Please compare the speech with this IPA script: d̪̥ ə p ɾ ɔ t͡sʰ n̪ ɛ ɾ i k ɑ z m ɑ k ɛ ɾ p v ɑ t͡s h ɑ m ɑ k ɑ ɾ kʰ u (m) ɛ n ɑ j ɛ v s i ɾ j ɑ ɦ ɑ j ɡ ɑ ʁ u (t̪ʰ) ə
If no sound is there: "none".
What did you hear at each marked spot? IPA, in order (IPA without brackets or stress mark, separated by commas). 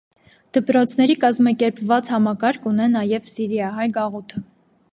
n, t̪ʰ